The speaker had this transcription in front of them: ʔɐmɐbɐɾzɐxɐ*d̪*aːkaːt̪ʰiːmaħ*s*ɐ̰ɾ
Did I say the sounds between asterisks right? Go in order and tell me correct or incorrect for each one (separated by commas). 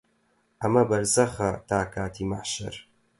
incorrect, incorrect